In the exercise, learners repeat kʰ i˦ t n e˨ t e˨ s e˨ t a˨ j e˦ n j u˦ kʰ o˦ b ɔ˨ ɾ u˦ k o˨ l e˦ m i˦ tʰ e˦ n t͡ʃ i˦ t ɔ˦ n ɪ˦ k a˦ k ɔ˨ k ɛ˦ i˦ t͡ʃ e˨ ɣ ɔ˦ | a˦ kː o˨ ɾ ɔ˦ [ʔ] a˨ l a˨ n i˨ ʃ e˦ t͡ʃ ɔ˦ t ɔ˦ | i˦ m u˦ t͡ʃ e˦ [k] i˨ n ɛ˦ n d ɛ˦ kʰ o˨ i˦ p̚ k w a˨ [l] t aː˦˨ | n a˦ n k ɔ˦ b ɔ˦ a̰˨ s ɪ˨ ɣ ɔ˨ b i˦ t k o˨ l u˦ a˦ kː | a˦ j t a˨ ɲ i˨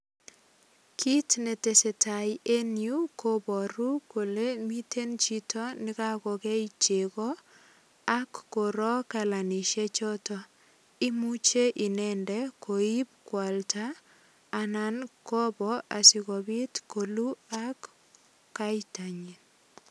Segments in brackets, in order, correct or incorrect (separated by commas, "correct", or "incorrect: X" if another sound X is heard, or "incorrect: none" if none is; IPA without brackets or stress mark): incorrect: k, incorrect: ʔ, correct